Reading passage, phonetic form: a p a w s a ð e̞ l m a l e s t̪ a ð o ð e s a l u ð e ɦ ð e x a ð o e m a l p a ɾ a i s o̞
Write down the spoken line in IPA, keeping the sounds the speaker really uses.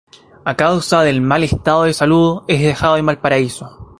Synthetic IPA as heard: a k a w s a ð e̞ l m a l e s t̪ a ð o ð e s a l u ð e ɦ ð e x a ð o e m a l p a ɾ a i s o̞

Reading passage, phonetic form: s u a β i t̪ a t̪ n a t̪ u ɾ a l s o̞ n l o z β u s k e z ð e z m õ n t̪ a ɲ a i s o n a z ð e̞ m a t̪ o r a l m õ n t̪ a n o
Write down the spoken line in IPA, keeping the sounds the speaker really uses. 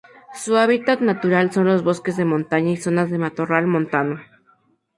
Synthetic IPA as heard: s u a β i t̪ a t̪ n a t̪ u ɾ a l s o̞ n l o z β o s k e z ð e m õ n t̪ a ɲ a i s o n a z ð e̞ m a t̪ o r a l m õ n t̪ a n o

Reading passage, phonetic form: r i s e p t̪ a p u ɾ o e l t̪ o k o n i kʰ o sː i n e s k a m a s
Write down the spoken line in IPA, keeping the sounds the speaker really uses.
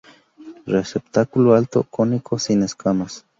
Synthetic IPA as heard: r e s e p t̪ a k u l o a l t̪ o k o n i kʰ o s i n e s k a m a s

